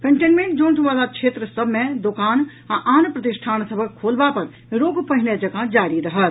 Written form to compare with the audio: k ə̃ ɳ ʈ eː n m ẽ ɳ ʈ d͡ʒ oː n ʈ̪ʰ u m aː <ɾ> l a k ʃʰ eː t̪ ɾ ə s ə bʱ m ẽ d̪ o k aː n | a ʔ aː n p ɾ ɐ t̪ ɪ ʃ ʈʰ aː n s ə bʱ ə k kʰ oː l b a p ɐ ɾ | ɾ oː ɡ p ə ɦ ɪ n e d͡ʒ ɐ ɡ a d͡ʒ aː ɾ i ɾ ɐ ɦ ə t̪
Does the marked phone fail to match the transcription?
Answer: yes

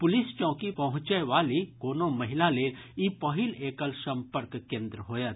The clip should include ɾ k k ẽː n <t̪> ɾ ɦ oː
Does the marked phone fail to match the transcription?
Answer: yes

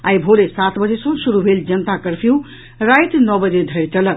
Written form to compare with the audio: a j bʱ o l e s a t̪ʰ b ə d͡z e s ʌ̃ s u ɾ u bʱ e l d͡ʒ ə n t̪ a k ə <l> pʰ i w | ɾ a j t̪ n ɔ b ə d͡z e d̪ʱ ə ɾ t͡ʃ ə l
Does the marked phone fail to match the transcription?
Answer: yes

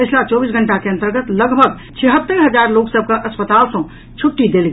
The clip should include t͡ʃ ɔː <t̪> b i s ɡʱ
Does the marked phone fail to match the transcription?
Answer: yes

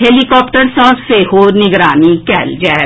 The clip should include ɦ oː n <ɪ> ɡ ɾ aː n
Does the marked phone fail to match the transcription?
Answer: no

